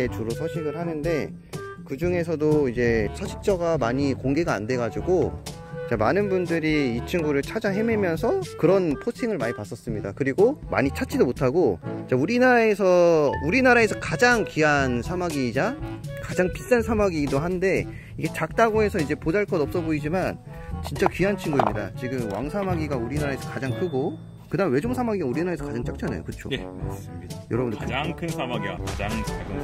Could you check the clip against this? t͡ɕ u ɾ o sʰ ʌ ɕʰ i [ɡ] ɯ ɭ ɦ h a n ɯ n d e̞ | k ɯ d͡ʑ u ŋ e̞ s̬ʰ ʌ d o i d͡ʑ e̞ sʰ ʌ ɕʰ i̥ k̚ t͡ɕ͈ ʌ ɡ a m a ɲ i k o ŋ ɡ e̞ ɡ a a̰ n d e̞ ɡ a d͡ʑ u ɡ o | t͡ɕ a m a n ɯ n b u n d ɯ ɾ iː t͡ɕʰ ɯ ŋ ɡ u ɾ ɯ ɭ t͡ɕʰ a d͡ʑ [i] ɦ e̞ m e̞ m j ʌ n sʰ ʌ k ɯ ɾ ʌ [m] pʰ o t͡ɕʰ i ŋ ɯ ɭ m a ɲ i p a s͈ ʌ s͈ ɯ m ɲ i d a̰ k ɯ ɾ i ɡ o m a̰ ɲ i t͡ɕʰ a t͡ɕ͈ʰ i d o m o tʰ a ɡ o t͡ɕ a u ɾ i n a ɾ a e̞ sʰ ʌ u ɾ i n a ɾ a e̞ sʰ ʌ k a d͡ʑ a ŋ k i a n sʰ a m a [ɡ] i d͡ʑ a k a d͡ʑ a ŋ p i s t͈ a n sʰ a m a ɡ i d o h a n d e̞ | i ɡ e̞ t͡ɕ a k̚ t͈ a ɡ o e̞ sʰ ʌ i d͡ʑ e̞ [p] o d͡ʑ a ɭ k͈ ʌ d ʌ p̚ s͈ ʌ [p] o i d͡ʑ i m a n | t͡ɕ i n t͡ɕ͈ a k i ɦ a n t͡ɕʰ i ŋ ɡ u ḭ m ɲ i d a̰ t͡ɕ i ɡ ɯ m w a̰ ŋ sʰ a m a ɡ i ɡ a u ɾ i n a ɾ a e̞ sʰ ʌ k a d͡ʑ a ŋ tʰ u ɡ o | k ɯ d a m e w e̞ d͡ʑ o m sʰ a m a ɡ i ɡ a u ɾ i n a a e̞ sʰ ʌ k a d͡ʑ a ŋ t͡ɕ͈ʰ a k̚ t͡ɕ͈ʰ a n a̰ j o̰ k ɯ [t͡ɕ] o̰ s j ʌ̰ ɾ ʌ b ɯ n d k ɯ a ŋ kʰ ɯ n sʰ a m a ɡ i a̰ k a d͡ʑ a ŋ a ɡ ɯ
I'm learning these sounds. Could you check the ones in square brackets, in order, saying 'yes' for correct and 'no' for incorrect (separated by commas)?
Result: yes, no, no, yes, yes, no, no